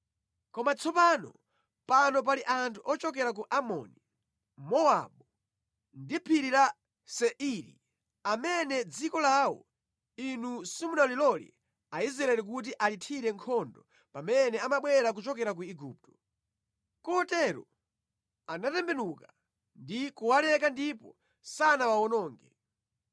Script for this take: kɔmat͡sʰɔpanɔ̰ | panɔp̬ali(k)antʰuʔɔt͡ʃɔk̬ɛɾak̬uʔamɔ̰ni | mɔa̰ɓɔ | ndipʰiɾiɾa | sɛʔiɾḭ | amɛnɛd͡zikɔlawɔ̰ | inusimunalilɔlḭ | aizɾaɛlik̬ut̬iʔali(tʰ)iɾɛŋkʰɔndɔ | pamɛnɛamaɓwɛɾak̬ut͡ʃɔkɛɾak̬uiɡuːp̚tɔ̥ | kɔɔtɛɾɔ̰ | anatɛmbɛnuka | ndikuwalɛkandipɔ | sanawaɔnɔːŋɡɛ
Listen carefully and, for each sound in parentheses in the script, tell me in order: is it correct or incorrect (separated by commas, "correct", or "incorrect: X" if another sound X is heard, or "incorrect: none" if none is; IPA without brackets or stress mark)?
incorrect: ʔ, correct